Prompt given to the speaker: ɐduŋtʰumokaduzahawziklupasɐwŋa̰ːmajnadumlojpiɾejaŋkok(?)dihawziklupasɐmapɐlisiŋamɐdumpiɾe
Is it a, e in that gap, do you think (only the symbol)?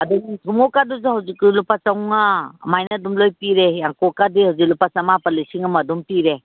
a